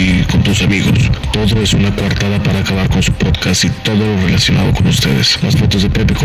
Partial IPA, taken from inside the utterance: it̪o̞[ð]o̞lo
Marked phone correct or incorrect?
correct